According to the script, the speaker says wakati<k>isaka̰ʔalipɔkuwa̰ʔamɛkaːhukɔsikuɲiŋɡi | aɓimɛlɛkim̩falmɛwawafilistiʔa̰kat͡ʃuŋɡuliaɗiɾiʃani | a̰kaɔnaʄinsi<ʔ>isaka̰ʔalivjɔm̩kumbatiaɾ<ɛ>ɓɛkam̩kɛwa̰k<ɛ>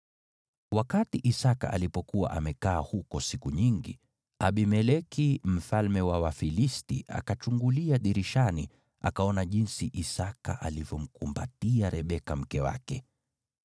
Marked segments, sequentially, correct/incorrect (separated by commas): incorrect, correct, correct, correct